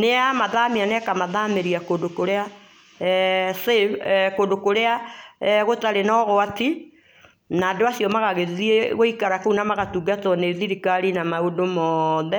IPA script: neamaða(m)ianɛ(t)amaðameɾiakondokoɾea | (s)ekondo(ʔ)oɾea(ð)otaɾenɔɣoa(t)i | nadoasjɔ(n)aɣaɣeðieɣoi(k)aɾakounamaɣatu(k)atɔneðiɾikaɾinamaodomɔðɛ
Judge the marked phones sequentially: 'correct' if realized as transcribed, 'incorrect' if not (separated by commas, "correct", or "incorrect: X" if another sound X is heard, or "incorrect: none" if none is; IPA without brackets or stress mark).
correct, incorrect: k, correct, incorrect: k, incorrect: ɣ, correct, incorrect: m, correct, incorrect: ɡ